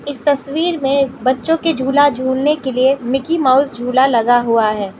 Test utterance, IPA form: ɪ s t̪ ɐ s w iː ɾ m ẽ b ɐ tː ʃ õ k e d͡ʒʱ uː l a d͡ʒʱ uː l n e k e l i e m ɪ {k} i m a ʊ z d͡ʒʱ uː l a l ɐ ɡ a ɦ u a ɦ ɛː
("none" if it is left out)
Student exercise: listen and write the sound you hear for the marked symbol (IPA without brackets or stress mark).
k